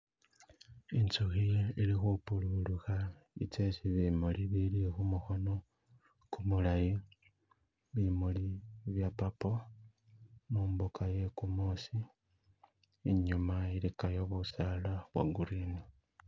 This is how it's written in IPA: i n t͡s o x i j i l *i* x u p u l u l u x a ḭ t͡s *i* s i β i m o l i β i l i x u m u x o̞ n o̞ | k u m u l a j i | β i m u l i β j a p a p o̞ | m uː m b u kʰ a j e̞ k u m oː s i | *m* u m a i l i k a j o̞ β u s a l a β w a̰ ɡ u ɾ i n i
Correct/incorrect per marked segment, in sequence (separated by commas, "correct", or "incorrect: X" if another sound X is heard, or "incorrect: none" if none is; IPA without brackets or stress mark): correct, incorrect: e, incorrect: ɲ